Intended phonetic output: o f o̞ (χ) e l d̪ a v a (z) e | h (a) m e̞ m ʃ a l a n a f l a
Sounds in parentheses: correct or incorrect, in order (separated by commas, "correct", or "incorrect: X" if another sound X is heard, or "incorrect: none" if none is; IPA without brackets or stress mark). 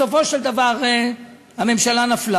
incorrect: ʃ, incorrect: ʁ, correct